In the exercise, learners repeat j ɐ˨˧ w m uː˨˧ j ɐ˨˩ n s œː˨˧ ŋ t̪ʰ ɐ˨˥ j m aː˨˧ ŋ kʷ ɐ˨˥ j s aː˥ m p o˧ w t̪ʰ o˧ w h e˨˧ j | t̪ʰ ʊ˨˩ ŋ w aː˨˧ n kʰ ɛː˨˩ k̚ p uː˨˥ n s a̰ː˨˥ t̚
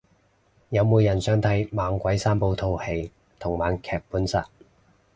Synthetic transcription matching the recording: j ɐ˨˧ w m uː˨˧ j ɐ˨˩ n s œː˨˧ ŋ t̪ʰ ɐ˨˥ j m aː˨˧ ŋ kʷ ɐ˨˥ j s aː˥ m p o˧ w t̪ʰ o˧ w h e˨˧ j | t̪ʰ ʊ˨˩ ŋ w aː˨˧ n kʰ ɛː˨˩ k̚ p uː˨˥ n s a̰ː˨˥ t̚

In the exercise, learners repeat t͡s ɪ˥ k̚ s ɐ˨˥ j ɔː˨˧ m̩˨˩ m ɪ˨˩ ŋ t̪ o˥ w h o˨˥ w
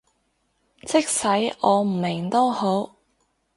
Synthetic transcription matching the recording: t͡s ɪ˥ k̚ s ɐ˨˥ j ɔː˨˧ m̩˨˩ m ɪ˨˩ ŋ t̪ o˥ w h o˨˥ w

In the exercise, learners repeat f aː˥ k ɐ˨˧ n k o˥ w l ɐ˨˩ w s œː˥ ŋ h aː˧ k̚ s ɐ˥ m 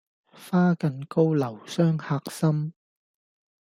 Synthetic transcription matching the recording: f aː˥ k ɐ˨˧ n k o˥ w l ɐ˨˩ w s œː˥ ŋ h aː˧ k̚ s ɐ˥ m

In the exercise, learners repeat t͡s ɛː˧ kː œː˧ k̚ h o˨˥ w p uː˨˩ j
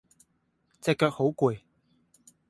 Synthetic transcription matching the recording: t͡s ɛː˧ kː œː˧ k̚ h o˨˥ w k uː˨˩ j

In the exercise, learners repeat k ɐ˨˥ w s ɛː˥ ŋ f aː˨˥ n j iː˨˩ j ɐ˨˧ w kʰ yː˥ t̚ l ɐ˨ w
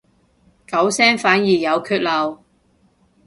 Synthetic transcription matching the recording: k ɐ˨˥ w s ɛː˥ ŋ f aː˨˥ n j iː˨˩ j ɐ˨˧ w kʰ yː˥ t̚ l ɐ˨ w

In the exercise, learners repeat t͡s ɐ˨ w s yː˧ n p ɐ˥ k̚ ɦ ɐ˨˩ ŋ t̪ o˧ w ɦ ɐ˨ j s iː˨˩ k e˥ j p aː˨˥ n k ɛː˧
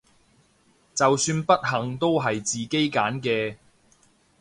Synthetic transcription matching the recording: t͡s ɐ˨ w s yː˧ n p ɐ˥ t̚ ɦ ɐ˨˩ ŋ t̪ o˥ w ɦ ɐ˨ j t͡s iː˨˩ k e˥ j k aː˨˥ n k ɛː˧

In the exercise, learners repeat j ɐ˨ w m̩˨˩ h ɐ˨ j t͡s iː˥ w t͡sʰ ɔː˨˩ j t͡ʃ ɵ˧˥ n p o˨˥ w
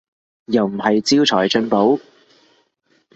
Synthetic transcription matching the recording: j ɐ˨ w m̩˨˩ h ɐ˨ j t͡s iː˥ w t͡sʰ ɔː˨˩ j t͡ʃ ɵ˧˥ n p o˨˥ w

